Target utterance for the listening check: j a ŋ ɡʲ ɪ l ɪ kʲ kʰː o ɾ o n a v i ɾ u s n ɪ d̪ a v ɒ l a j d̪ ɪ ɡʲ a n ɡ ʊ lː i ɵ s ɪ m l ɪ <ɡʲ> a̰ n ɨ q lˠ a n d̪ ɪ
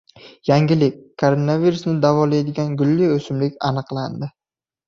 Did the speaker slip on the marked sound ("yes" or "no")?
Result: yes